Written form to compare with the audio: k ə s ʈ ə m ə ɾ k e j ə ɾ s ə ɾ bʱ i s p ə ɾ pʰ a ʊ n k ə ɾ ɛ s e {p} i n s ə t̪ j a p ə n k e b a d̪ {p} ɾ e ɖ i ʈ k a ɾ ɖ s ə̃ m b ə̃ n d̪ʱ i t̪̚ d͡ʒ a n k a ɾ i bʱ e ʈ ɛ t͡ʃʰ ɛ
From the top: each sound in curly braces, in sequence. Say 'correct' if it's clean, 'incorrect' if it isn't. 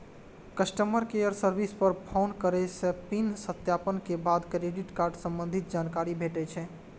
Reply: correct, incorrect: k

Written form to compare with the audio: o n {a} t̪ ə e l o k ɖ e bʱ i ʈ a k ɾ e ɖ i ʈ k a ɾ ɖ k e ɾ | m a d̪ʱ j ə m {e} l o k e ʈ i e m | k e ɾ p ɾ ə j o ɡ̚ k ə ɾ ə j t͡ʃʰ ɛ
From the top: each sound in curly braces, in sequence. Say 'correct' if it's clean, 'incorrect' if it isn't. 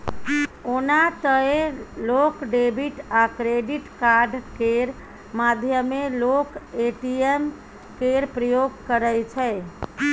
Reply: correct, correct

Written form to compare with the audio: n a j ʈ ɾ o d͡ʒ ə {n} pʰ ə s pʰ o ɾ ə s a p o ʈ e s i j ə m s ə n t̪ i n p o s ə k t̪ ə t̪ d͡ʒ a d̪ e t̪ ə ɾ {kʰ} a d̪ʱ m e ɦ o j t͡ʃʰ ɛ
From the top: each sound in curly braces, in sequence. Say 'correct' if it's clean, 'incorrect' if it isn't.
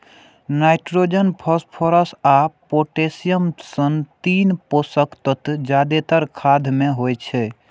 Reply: correct, correct

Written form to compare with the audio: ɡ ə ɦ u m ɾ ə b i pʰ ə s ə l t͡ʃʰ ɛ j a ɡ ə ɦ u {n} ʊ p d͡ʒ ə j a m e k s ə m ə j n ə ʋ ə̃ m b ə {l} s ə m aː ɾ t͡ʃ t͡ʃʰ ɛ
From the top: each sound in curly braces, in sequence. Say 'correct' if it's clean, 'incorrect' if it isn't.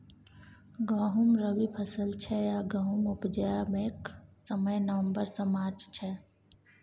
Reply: incorrect: m, incorrect: ɾ

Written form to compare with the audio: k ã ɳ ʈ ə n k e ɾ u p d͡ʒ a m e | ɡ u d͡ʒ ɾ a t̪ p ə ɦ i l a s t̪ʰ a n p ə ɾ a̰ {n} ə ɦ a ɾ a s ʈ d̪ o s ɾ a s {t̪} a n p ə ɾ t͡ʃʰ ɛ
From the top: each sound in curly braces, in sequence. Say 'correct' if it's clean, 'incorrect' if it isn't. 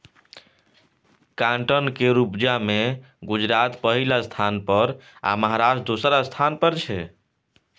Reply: incorrect: m, incorrect: t̪ʰ

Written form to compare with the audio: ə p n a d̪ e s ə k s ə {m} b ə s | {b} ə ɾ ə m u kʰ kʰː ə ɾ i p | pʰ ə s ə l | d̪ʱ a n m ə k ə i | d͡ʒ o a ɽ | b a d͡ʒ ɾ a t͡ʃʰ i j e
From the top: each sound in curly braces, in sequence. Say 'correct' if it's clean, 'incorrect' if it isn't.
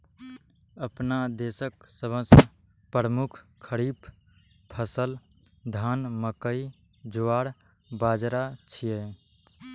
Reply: incorrect: none, incorrect: p

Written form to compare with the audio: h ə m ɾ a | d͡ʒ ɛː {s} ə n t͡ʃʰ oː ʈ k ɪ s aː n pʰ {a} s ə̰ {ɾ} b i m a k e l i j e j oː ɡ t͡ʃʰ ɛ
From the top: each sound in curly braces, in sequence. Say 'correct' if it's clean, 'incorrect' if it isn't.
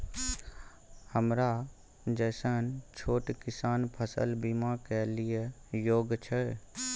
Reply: correct, incorrect: ə, incorrect: l

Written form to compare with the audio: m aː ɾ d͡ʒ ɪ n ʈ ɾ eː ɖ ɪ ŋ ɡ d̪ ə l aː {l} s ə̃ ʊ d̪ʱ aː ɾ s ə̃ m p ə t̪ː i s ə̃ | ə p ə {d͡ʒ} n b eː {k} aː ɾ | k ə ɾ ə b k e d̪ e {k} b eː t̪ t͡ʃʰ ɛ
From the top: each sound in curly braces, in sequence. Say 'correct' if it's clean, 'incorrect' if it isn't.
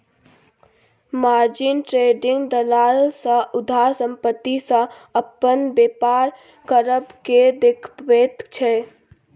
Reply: correct, incorrect: none, incorrect: p, incorrect: kʰ

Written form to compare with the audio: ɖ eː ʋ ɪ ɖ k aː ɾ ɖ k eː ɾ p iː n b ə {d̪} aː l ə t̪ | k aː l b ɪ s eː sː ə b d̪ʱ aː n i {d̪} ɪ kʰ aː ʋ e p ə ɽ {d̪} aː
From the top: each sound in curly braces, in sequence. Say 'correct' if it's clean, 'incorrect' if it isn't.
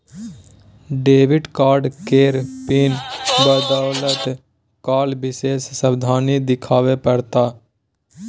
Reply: correct, correct, incorrect: t̪

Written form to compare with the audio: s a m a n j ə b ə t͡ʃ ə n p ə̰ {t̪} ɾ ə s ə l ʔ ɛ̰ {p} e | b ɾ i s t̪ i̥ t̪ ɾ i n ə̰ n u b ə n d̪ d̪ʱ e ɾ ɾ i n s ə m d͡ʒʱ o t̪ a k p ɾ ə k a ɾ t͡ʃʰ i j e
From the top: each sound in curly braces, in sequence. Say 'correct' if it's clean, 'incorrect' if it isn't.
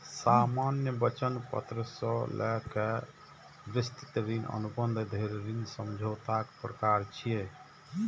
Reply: correct, incorrect: k

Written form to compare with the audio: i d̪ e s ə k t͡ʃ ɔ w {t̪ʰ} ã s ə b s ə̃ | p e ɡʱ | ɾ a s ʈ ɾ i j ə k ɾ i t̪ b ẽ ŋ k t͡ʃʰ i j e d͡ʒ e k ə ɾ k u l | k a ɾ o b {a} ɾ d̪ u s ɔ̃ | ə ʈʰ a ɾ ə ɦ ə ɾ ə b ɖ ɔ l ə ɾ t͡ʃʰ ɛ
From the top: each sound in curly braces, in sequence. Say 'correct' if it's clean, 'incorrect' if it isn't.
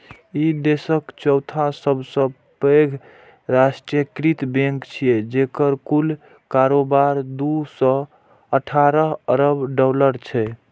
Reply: correct, correct

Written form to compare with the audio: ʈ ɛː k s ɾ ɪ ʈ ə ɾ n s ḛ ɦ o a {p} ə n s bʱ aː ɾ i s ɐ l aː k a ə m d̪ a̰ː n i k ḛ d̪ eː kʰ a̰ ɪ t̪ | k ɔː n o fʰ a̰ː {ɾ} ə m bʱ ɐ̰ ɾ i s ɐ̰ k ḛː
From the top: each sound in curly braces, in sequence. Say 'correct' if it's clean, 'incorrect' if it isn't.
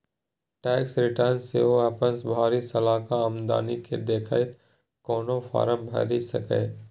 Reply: correct, correct

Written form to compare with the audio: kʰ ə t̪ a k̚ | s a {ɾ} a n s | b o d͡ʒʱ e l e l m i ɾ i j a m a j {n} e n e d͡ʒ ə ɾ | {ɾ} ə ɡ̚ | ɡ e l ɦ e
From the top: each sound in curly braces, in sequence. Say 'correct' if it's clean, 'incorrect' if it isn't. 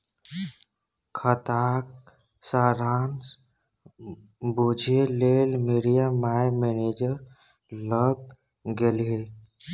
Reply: correct, incorrect: m, incorrect: l

